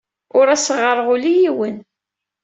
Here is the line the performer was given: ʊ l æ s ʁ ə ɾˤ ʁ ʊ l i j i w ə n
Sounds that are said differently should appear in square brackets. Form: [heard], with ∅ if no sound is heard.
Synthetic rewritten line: ʊ [ɾ] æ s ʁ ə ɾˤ ʁ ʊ l i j i w ə n